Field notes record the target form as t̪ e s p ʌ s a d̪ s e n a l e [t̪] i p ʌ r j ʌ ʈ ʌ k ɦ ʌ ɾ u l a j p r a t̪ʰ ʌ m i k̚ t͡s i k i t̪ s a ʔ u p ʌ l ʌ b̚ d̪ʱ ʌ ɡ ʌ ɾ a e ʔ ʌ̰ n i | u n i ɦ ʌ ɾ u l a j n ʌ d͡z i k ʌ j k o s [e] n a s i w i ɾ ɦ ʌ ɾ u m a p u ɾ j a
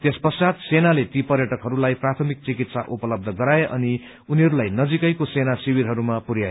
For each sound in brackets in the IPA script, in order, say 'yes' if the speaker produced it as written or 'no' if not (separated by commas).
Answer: yes, yes